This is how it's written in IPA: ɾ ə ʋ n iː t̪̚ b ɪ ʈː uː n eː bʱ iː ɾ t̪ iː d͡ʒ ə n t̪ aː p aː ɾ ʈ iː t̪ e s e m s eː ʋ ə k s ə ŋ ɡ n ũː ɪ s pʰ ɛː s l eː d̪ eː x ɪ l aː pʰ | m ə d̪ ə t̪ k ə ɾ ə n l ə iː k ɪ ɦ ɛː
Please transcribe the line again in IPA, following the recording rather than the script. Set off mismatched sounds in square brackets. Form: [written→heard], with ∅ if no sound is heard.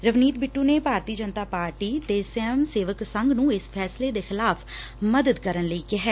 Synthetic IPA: ɾ ə ʋ n iː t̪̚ b ɪ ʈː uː n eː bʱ [iː→aː] ɾ t̪ iː d͡ʒ ə n t̪ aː p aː ɾ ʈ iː t̪ e s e m s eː ʋ ə k s ə ŋ ɡ n ũː ɪ s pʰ ɛː s l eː d̪ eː x ɪ l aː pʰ | m ə d̪ ə [t̪→d̪] k ə ɾ ə n l ə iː k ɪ ɦ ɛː